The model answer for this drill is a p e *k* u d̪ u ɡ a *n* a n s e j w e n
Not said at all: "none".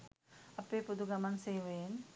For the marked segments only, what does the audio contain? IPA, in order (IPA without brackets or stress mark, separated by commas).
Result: p, m